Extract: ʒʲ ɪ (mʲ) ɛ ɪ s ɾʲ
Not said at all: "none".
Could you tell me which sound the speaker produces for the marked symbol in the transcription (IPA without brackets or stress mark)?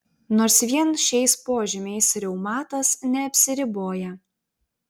mʲ